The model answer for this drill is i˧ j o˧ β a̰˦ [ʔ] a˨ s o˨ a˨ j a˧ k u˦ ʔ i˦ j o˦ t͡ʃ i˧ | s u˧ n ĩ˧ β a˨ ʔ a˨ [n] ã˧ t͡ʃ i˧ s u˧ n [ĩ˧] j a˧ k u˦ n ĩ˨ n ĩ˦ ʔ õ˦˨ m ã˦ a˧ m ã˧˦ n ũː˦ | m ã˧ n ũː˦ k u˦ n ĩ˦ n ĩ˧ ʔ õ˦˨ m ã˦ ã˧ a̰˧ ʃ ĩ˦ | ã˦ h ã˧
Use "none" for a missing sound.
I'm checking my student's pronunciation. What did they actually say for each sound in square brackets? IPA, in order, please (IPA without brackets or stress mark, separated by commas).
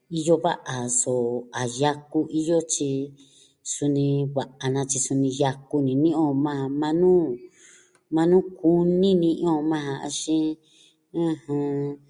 ʔ, n, ĩ˧